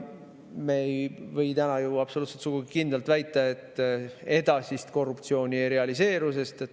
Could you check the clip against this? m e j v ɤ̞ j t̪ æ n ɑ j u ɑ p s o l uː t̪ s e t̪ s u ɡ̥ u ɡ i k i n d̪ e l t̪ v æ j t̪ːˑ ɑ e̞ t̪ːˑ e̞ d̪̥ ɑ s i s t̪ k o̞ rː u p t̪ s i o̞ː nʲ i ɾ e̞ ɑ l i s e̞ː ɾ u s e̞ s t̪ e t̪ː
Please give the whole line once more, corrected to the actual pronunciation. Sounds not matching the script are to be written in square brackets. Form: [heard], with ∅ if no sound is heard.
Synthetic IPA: m e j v ɤ̞ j t̪ æ n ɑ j u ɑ p s o l uː t̪ s e t̪ s u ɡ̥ u ɡ i k i n d̪ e l t̪ v æ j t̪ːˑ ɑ e̞ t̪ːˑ e̞ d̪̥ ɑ s i s t̪ k o̞ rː u p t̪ s i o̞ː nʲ i ɾ e̞ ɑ l i s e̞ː ɾ u s e̞ s t̪ e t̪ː